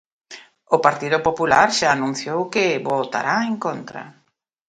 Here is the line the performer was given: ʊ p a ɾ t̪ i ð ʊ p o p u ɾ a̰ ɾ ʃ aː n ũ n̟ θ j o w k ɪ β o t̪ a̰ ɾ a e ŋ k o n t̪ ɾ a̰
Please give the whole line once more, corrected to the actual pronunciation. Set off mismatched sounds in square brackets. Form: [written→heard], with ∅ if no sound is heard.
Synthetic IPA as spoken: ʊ p a ɾ t̪ i ð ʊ p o p u [ɾ→l] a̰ ɾ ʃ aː n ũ n̟ θ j o w k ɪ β o t̪ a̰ ɾ a e ŋ k o n t̪ ɾ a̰